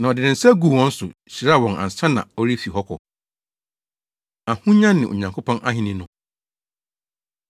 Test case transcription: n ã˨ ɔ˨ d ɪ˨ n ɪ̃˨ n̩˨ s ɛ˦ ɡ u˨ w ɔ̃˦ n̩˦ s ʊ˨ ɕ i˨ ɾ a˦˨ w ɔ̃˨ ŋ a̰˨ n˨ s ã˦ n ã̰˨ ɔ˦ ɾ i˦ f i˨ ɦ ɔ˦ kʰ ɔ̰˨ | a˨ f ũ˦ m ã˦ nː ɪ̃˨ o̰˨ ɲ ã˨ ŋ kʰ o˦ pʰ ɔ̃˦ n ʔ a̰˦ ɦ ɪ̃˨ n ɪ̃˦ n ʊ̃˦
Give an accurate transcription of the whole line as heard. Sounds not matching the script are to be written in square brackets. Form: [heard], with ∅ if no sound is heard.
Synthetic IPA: n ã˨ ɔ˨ d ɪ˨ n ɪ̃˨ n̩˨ s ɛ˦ ɡ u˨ w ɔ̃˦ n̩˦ s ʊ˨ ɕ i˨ ɾ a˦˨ w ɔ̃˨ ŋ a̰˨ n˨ s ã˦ n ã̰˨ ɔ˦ ɾ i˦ f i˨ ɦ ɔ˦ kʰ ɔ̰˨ | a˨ [h] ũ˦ [ɲ] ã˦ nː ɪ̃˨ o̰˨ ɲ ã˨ ŋ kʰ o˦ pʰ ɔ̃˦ n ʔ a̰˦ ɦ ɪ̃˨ n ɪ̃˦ n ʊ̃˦